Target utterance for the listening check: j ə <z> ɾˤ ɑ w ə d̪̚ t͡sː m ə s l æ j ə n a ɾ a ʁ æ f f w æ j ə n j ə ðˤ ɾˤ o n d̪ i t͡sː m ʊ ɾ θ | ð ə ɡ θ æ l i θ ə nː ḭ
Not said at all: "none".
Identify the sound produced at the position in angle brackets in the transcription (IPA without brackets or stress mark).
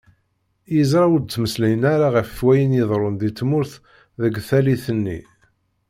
z